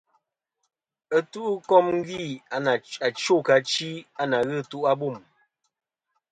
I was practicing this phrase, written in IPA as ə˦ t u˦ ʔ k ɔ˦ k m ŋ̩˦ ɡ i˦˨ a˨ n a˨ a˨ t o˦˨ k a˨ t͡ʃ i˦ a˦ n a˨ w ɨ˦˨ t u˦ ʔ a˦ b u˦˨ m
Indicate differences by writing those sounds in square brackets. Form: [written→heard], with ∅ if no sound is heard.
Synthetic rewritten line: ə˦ t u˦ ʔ k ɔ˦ [k→∅] m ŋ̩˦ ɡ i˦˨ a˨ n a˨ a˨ [t→t͡ʃ] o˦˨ k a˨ t͡ʃ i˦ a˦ n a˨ [w→ɣ] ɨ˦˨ t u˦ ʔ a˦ b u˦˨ m